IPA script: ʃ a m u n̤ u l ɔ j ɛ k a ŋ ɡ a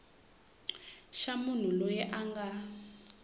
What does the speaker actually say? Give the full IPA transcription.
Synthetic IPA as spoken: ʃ a m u n̤ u l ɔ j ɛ ʔ a ŋ ɡ a